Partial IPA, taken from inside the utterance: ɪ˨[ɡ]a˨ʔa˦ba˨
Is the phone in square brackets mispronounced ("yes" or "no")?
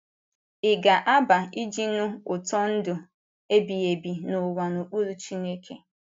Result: no